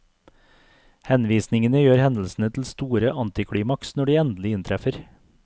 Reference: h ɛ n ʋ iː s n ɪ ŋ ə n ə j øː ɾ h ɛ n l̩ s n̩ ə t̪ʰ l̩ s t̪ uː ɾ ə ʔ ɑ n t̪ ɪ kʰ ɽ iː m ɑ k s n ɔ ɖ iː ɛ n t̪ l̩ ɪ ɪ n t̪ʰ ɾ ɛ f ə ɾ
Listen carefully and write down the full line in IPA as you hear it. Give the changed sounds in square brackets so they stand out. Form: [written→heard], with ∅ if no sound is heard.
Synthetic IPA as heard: h ɛ n ʋ iː s n ɪ ŋ ə n ə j øː ɾ h ɛ n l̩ s n̩ ə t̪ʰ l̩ s t̪ uː ɾ ə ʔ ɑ n t̪ ɪ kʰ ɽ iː m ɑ k s n ɔ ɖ iː ɛ n [t̪→d̪] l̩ ɪ ɪ n t̪ʰ ɾ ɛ f ə ɾ